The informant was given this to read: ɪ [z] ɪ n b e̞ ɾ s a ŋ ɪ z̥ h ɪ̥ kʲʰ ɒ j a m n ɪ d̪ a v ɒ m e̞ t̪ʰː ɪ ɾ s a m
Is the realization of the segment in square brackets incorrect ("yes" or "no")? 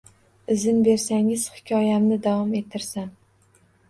no